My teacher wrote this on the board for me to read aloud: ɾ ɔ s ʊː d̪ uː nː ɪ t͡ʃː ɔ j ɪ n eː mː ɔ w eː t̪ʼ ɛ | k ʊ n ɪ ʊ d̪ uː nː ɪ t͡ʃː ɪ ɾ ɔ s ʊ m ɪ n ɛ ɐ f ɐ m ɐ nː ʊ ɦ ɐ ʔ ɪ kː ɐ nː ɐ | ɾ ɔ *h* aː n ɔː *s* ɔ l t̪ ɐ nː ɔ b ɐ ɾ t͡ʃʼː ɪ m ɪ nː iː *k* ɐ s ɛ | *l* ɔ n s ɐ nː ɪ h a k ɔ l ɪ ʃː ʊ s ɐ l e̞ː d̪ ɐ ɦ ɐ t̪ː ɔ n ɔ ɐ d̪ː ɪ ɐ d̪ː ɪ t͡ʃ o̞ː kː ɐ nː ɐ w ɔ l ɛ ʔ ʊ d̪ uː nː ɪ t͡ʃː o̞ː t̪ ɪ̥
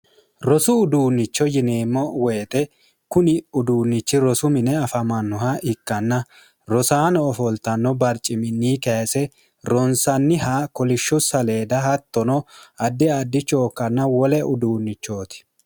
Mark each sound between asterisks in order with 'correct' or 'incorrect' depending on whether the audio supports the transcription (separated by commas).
incorrect, incorrect, correct, incorrect